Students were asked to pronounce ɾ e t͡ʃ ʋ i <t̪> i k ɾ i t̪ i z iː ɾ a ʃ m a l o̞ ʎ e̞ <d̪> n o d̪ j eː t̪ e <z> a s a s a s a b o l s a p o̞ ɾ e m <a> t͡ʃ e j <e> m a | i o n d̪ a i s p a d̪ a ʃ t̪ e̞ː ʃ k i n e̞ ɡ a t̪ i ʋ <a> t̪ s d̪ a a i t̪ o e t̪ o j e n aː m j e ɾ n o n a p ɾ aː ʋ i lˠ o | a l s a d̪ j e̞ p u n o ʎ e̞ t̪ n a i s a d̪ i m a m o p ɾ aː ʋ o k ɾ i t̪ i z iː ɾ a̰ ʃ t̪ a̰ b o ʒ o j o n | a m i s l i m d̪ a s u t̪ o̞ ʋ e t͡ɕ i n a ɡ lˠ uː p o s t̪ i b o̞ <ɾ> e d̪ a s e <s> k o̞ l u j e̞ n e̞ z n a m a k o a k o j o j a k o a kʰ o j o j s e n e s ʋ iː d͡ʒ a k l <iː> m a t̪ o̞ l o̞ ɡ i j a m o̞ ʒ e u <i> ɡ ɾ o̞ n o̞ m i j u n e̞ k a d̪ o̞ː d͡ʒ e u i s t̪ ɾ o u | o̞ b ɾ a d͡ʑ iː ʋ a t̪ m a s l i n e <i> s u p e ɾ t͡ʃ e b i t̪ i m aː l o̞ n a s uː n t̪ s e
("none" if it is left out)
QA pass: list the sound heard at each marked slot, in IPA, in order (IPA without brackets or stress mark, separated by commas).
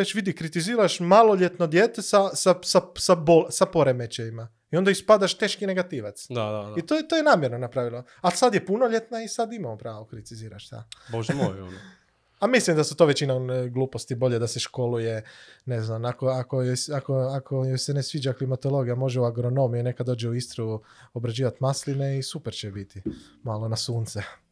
d̪, t̪, s, e, i, a, ʎ, ʃ, i, a, i